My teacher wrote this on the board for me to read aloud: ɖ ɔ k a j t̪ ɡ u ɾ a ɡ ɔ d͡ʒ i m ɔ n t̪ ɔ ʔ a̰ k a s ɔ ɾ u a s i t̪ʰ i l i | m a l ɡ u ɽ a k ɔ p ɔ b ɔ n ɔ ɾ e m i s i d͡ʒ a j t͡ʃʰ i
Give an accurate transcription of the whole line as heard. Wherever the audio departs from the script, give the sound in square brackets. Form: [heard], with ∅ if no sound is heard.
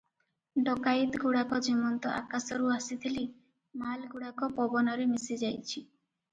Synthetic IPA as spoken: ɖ ɔ k a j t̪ ɡ u [ɽ] a [k] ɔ d͡ʒ i m ɔ n t̪ ɔ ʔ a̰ k a s ɔ ɾ u a s i t̪ʰ i l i | m a l ɡ u ɽ a k ɔ p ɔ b ɔ n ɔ ɾ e m i s i d͡ʒ a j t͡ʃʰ i